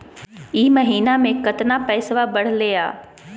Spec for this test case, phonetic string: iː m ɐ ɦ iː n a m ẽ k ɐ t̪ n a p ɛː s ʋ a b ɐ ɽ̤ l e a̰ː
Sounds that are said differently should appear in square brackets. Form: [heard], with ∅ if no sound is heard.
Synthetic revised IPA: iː m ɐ ɦ iː n a m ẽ k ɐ t̪ n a p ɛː s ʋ a b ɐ ɽ̤ l e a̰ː